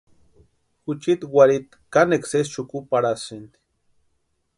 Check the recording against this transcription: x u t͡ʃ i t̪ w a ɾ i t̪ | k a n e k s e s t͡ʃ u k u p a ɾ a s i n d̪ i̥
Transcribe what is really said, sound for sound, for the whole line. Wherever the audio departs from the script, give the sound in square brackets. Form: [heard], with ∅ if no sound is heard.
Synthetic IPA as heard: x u t͡ʃ i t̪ w a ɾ i t̪ | k a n e k s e s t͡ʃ u k u p a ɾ a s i n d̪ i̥